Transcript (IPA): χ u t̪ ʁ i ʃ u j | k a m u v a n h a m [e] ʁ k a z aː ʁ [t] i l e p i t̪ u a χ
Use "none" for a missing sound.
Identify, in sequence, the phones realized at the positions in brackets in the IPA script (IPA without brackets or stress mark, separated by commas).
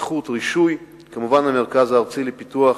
e, t͡s